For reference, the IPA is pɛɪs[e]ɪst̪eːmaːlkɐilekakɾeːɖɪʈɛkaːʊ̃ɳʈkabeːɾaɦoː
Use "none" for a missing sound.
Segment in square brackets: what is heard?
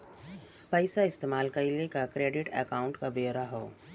a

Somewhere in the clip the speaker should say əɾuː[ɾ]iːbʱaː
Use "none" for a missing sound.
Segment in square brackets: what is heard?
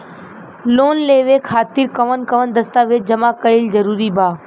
ɾ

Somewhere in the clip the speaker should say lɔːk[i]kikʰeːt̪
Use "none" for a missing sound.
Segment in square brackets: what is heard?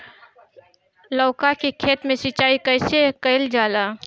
a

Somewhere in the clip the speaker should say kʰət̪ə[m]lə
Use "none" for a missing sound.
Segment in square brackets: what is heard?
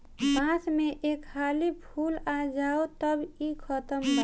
m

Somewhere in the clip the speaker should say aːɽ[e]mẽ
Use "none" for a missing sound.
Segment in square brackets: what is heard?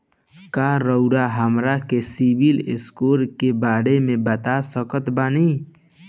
e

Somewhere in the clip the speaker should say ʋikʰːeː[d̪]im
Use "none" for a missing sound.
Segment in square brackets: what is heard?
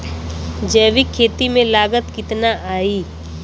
t̪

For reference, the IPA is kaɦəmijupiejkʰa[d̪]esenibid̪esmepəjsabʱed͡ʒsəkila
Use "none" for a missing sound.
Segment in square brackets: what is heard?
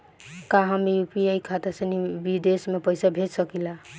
t̪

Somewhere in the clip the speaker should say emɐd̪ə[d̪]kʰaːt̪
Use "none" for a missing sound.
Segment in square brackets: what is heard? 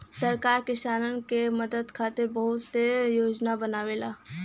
d̪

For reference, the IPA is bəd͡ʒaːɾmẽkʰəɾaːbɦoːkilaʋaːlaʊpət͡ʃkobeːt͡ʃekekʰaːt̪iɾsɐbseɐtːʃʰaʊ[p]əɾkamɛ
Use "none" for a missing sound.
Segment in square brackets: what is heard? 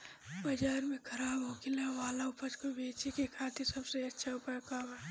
p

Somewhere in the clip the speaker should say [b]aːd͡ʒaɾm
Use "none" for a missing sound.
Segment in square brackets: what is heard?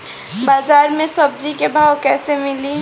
b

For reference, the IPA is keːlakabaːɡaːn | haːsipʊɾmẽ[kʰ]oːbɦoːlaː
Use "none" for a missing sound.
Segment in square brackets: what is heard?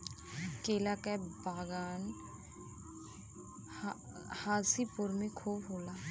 kʰ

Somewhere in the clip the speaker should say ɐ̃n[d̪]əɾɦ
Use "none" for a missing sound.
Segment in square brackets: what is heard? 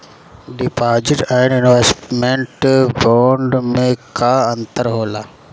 t̪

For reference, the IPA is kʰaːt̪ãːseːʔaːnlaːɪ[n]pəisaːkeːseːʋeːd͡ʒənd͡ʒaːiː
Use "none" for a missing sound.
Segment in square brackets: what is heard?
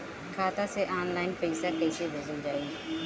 n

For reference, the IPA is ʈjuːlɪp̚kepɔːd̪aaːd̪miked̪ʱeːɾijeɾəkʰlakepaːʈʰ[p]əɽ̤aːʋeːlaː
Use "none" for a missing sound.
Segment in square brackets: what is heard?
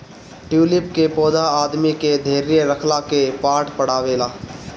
p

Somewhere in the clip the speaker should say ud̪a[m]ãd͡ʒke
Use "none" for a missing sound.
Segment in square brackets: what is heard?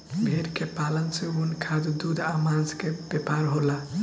m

